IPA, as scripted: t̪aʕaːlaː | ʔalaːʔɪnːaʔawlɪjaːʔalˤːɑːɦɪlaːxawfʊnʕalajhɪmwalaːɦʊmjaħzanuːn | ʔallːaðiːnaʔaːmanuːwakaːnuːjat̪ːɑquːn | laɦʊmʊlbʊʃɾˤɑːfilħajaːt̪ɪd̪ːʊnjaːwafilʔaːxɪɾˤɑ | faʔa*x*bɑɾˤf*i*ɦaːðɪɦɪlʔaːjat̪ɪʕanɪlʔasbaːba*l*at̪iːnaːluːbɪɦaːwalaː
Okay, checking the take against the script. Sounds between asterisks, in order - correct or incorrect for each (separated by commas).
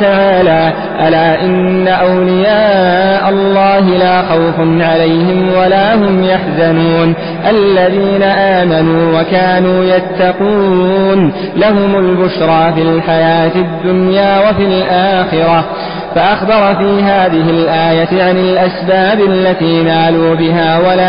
correct, incorrect, incorrect